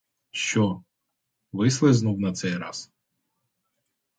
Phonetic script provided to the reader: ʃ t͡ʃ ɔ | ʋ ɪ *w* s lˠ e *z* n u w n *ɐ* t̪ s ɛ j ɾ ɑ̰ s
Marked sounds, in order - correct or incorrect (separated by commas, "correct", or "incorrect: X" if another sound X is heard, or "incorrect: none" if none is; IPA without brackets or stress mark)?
incorrect: none, correct, correct